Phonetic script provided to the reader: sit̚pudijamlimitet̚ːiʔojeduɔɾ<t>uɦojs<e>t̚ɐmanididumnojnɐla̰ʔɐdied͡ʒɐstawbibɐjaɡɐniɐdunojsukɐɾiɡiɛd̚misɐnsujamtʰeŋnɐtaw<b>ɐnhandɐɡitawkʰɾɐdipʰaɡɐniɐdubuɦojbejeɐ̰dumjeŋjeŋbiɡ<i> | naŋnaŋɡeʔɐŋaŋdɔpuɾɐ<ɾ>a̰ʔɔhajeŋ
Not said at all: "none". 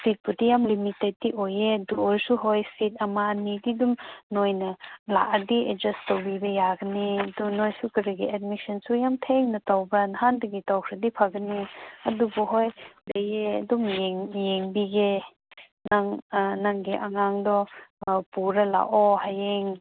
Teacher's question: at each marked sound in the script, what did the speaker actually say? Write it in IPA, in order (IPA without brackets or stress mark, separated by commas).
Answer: s, i, b, e, l